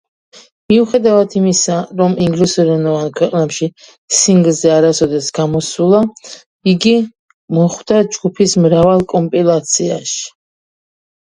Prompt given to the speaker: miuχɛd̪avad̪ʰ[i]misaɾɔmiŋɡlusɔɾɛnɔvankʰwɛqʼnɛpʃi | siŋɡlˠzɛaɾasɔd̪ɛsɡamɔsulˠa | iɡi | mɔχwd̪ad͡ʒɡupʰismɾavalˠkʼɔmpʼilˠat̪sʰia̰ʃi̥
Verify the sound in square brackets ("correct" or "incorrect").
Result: correct